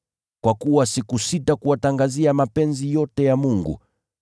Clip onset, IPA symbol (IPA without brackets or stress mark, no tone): k